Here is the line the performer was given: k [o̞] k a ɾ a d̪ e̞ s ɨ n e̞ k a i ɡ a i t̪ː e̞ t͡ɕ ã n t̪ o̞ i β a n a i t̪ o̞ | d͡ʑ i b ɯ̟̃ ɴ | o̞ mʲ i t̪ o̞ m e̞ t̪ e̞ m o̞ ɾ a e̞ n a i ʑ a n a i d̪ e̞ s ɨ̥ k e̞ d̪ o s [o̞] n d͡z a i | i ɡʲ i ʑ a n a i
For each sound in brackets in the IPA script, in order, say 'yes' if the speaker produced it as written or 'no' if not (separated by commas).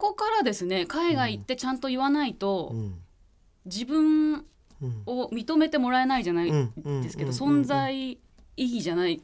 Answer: yes, no